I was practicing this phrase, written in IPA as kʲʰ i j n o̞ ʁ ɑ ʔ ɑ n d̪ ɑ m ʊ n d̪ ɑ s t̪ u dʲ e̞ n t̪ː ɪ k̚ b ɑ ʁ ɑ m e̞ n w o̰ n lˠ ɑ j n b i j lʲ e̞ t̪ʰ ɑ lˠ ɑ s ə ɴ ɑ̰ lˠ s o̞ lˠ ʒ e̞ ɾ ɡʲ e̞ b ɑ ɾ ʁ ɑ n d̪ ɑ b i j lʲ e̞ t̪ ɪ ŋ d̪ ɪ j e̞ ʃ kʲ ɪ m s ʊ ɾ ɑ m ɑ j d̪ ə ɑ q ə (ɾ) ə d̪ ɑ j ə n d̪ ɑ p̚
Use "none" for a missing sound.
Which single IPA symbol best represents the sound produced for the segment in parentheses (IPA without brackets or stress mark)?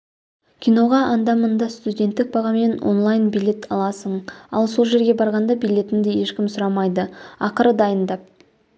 ɾ